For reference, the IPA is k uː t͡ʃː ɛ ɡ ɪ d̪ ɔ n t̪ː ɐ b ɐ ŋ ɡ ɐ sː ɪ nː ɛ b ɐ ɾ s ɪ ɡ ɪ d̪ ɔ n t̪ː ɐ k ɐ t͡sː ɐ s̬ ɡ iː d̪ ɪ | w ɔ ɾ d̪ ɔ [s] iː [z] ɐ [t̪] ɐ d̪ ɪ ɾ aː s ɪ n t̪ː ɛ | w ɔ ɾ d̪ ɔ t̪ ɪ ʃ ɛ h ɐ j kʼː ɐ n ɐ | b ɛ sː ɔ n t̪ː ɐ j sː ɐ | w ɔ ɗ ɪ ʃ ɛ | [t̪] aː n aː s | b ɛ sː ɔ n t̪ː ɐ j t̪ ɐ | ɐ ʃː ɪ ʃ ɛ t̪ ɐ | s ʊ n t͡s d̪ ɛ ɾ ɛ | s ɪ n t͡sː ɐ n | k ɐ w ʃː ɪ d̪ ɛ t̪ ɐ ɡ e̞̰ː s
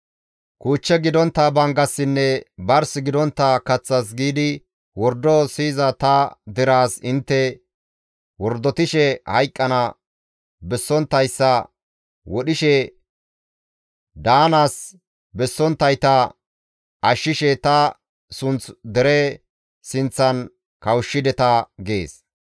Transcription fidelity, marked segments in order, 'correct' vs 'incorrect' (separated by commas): correct, correct, correct, incorrect